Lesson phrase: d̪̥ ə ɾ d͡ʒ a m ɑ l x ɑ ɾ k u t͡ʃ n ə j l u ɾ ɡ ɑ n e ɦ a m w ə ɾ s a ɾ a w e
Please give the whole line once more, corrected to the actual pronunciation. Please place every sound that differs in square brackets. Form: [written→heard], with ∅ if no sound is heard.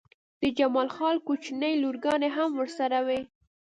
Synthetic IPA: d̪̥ ə [ɾ→∅] d͡ʒ a m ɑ l x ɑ [ɾ→l] k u t͡ʃ n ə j l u ɾ ɡ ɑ n e ɦ a m w ə ɾ s a ɾ a w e